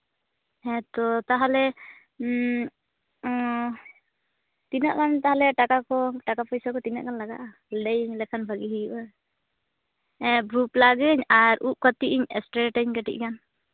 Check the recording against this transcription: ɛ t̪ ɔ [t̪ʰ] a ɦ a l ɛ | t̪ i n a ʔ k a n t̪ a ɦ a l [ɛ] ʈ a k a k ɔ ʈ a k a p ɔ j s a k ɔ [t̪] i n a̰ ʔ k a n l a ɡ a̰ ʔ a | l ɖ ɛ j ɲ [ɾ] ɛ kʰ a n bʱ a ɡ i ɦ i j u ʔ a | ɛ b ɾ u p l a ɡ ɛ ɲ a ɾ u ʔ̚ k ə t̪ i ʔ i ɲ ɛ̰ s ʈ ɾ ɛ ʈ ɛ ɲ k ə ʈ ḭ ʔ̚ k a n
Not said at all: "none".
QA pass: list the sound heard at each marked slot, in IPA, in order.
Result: t̪, ɛ, t̪, l

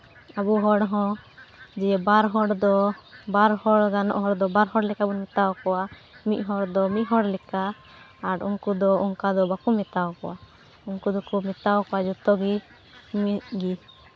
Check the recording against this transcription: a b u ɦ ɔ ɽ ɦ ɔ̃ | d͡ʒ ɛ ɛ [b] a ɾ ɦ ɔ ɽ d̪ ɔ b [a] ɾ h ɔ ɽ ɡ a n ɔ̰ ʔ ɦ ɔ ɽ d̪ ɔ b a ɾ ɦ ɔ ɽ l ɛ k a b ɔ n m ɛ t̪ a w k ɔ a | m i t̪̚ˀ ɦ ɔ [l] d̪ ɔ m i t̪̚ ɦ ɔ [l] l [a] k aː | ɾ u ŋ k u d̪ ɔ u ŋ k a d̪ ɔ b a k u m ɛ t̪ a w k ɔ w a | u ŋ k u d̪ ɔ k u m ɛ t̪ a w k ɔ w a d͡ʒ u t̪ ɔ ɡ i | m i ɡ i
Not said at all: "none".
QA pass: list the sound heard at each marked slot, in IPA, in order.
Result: b, a, ɽ, ɽ, ɛ

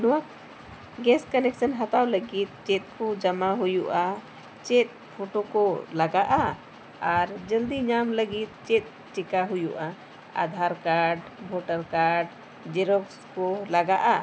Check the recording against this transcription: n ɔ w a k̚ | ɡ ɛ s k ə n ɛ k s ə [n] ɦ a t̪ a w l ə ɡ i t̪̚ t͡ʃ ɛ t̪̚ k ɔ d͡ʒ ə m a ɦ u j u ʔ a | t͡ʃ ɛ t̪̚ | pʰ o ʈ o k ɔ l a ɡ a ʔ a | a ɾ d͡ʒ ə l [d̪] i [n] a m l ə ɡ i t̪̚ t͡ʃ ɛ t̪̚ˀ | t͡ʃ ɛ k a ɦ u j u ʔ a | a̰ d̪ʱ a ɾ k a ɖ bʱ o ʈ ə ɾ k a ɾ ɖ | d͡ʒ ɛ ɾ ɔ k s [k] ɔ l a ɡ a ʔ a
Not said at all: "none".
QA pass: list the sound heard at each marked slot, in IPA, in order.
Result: n, d̪, ɲ, k

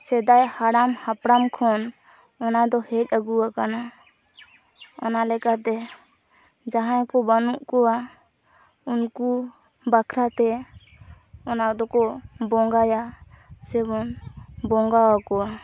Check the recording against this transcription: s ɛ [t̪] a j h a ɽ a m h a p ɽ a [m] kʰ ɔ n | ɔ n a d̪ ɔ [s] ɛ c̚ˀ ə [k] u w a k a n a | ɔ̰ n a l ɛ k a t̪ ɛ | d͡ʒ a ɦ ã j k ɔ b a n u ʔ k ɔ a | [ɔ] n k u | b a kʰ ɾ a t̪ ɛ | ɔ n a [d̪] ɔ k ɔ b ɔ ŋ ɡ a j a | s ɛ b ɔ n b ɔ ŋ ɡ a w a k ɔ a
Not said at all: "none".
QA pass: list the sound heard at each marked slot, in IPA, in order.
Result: d̪, m, h, ɡ, u, d̪

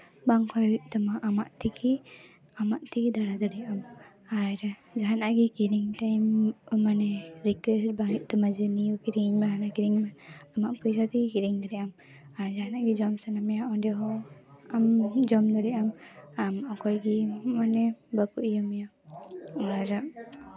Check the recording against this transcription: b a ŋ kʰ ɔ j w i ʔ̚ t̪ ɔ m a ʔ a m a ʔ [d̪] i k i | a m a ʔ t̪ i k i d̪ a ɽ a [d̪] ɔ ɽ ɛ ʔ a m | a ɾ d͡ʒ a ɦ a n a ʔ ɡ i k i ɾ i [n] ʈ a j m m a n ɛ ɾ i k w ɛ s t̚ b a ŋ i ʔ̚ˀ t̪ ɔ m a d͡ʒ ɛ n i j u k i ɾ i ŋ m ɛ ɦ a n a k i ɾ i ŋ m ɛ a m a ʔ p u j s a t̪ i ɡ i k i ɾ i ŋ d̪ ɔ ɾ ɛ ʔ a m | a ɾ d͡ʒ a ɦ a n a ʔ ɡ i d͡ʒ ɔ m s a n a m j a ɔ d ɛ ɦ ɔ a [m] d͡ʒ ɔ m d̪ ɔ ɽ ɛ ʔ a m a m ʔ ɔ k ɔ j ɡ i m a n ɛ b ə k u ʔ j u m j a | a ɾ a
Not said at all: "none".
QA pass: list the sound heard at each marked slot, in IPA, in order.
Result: t̪, d̪, ŋ, m

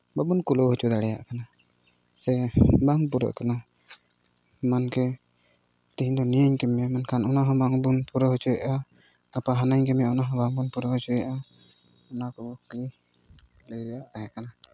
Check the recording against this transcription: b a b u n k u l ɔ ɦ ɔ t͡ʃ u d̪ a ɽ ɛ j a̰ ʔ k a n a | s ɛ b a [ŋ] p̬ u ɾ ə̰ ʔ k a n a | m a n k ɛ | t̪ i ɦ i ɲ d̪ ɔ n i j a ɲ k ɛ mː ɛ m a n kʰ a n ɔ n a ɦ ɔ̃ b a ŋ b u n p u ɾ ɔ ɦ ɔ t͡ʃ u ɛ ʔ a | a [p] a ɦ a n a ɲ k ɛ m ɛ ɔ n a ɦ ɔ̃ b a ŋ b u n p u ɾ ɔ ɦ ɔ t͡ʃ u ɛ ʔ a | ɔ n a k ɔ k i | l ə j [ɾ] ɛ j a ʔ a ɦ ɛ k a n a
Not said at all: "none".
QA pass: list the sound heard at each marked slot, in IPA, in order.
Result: ŋ, p, ɾ

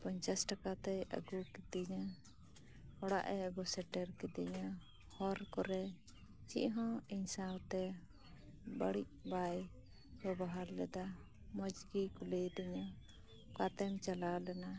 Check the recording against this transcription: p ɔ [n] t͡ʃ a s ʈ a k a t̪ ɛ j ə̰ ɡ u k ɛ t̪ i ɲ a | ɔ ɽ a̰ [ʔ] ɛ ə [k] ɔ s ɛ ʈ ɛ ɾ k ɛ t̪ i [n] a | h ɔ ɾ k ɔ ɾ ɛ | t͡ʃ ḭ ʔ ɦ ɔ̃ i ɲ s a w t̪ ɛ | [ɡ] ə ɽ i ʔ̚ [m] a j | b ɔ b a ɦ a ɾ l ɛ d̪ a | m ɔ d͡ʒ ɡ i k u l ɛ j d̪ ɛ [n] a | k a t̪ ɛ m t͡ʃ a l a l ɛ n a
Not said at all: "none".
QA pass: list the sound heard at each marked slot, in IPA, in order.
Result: ɲ, ʔ, ɡ, ɲ, b, b, ɲ

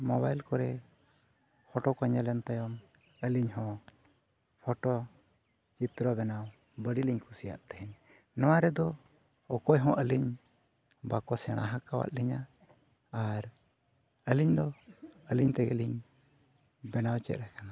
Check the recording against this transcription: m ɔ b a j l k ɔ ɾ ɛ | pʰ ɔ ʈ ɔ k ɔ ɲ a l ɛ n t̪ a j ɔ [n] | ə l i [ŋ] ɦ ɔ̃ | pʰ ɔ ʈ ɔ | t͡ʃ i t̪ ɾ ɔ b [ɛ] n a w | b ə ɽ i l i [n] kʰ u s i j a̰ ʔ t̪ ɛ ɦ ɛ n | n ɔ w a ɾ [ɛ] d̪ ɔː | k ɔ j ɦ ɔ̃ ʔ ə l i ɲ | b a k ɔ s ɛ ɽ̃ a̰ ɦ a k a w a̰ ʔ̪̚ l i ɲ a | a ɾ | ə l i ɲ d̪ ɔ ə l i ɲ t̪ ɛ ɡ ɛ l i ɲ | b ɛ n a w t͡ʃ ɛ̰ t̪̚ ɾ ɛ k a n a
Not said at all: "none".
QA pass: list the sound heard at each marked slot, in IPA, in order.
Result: m, ɲ, ɛ, ɲ, ɛ

